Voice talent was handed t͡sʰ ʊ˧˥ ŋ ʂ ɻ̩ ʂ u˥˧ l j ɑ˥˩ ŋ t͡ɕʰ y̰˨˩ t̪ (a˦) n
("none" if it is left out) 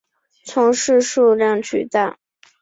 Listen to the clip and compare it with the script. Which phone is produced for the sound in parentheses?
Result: a˥˩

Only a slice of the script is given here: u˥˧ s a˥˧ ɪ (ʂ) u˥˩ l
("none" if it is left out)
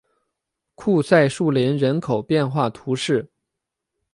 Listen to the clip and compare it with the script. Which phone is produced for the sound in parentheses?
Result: ʂ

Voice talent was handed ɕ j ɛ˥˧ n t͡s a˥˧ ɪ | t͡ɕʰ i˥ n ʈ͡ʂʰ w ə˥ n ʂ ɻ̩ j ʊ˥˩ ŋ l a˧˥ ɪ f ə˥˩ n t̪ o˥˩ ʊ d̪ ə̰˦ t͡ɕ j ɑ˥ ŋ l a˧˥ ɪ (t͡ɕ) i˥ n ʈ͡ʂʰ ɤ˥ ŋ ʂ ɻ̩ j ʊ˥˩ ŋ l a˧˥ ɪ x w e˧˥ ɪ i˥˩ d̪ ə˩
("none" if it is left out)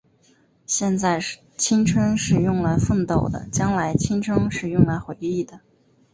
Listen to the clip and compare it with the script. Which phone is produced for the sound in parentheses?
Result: t͡ɕʰ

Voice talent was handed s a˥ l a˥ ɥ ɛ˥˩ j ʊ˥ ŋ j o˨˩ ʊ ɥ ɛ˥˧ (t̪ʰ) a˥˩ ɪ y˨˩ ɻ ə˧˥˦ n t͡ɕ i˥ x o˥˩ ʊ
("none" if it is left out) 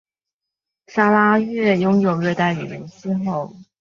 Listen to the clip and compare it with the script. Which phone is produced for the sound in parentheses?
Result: t̪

